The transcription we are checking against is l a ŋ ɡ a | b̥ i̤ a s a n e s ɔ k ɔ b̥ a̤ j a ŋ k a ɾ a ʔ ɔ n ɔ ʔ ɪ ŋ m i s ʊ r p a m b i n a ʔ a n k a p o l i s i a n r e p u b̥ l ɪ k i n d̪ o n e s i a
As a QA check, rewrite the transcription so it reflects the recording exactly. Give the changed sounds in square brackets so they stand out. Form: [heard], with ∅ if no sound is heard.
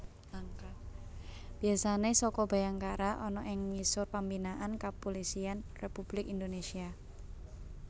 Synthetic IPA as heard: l a ŋ [k] a | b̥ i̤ a s a n e s ɔ k ɔ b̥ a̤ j a ŋ k a ɾ a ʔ ɔ n ɔ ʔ ɪ ŋ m i s ʊ r p a m b i n a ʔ a n k a p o l i s i a n r e p u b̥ l ɪ k i n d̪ o n e s i a